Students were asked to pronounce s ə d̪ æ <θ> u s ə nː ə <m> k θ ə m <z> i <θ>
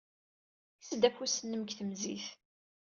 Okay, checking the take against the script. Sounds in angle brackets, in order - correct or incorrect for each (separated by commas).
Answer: incorrect, correct, correct, correct